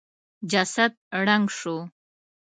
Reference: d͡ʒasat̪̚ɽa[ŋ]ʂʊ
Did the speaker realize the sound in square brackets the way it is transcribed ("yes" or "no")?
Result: yes